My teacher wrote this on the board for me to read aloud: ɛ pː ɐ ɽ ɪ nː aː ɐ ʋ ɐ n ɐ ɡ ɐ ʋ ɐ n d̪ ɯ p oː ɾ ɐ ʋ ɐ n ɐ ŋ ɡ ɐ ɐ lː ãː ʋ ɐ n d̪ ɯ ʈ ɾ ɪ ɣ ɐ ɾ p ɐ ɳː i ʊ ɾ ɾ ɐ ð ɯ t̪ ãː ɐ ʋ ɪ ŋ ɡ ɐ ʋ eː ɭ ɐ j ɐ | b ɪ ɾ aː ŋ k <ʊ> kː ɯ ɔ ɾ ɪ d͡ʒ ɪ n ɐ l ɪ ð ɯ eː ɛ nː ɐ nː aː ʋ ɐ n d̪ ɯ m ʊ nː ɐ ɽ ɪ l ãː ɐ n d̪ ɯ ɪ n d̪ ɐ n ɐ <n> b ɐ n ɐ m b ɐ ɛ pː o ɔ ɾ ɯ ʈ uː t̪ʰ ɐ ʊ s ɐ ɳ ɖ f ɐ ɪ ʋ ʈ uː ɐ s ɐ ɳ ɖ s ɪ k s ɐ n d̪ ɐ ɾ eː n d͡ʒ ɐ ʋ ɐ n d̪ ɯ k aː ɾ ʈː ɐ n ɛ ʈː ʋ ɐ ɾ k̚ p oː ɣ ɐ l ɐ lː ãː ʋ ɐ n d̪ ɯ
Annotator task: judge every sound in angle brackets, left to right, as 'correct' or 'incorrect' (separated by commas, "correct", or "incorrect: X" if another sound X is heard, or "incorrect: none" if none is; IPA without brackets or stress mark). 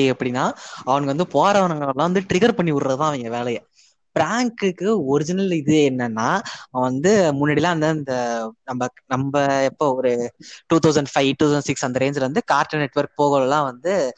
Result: incorrect: ɯ, incorrect: m